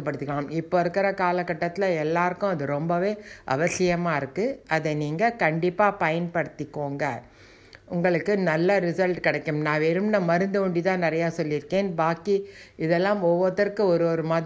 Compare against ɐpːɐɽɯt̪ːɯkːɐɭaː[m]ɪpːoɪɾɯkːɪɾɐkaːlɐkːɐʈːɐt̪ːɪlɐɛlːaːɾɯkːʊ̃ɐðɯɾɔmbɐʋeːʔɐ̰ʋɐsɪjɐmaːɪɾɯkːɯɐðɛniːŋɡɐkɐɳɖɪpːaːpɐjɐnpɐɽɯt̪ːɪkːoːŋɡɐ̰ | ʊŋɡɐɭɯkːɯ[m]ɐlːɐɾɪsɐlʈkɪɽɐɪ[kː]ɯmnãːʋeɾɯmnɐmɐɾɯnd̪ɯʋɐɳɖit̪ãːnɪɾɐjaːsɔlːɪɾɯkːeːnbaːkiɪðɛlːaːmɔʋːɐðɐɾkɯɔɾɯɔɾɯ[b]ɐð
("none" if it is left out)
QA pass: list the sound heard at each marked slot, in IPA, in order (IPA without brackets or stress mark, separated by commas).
m, n, kː, m